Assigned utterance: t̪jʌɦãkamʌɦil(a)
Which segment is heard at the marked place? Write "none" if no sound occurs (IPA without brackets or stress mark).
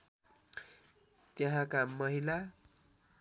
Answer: a